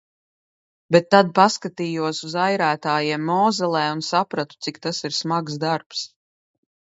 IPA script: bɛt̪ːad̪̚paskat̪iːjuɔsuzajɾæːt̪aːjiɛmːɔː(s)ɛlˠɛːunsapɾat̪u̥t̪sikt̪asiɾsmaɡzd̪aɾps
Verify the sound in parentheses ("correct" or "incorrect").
incorrect